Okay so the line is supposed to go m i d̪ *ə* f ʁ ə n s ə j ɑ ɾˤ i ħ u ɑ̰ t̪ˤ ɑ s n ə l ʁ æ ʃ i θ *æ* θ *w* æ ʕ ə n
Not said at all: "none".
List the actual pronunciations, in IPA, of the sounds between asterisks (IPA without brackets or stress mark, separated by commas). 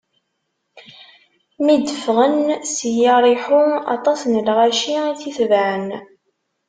ə, i, v